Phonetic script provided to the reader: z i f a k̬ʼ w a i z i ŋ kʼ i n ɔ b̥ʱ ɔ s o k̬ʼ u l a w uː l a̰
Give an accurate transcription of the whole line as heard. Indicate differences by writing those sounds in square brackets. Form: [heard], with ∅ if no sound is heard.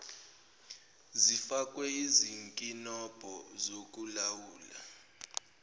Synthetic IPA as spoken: z i f a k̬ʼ w [ɛ] i z i ŋ kʼ i n ɔ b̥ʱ ɔ [z] o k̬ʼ u l a w uː l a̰